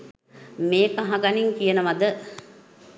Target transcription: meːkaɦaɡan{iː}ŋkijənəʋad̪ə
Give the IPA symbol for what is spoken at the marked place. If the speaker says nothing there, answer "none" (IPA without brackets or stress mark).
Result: i